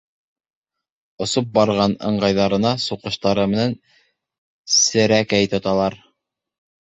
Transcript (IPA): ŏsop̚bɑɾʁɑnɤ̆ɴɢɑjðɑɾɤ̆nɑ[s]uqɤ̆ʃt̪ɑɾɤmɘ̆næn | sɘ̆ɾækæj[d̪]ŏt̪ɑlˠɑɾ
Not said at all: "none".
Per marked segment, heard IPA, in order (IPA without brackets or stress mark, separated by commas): s, t̪